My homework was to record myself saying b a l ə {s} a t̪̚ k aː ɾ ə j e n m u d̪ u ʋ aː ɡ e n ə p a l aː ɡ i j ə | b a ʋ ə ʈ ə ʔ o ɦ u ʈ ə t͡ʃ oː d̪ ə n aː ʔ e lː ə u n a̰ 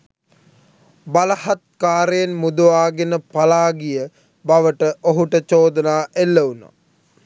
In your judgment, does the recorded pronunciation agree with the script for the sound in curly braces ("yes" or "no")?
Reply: no